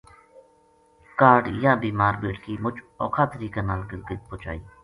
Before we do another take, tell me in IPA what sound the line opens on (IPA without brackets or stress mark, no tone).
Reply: k